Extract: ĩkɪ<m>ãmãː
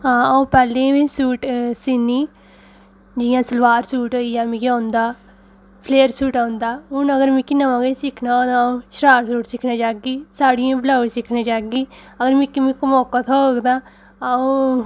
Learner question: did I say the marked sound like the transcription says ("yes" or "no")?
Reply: no